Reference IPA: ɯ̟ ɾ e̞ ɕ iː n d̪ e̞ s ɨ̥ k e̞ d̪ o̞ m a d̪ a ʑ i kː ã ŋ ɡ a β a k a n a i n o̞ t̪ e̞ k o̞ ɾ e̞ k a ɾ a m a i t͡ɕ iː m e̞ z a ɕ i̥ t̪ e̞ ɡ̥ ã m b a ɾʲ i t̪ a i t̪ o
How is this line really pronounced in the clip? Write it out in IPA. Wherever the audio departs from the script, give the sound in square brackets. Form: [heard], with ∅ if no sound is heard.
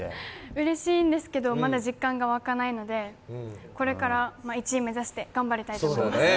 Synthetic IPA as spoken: ɯ̟ ɾ e̞ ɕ iː n d̪ e̞ s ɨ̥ k e̞ d̪ o̞ m a d̪ a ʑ i kː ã ŋ ɡ a β a k a n a i n o̞ [d̪] e̞ k o̞ ɾ e̞ k a ɾ a m a i t͡ɕ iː m e̞ z a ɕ i̥ t̪ e̞ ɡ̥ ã m b a ɾʲ i t̪ a i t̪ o